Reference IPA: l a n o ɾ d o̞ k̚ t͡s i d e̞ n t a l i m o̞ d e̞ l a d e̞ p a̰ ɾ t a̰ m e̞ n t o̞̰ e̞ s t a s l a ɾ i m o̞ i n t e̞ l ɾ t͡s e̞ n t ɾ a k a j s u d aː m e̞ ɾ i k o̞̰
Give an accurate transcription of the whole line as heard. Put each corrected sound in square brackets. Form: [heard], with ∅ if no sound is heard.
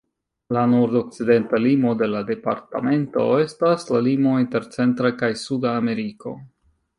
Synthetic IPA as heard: l a n o ɾ d o̞ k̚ t͡s i d e̞ n t a l i m o̞ d e̞ l a d e̞ p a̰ ɾ t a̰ m e̞ n t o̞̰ e̞ s t a s l a [l] i m o̞ i n t e̞ [∅] ɾ t͡s e̞ n t ɾ a k a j s u d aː m e̞ ɾ i k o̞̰